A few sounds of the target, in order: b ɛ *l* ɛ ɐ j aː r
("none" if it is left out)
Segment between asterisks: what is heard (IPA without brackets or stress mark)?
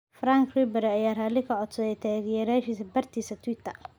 ɾ